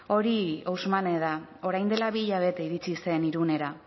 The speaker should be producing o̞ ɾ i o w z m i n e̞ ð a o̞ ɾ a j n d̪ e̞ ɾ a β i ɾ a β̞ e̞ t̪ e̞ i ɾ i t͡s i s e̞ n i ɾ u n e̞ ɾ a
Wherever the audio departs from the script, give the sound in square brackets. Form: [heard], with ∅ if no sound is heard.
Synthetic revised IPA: o̞ ɾ i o w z m [a] n e̞ ð a o̞ ɾ a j n d̪ e̞ [l] a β i [ʎ] a β̞ e̞ t̪ e̞ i ɾ i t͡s i s e̞ n i ɾ u n e̞ ɾ a